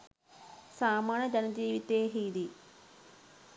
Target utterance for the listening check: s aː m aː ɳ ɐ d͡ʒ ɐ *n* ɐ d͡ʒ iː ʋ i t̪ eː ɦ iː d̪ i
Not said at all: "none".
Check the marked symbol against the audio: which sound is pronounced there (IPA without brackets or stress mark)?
n